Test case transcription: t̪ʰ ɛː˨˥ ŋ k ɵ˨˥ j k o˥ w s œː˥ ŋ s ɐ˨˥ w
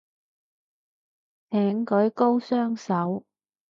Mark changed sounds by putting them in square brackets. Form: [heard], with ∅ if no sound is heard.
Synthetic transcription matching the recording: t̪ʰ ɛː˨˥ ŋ k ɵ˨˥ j k o˥ w s œː˥ ŋ s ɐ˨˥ w